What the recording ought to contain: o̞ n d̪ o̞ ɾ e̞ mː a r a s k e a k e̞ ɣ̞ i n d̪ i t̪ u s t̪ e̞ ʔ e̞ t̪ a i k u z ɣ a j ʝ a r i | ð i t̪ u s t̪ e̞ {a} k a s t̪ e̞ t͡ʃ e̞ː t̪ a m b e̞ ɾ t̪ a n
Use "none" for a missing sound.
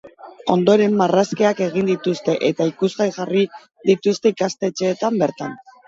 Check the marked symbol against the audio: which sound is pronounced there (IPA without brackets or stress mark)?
i